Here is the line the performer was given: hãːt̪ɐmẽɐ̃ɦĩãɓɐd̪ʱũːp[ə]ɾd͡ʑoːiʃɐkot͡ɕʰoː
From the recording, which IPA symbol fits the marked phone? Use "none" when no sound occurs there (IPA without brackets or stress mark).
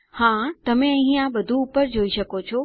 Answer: ə